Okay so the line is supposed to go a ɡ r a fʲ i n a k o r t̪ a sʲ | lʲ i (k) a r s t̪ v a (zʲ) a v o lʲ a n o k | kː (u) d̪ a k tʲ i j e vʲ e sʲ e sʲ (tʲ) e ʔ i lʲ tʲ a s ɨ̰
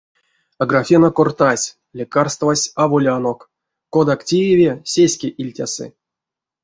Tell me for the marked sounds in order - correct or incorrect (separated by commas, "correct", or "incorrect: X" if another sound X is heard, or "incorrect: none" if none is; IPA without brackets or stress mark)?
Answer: correct, incorrect: sʲ, incorrect: o, incorrect: kʲ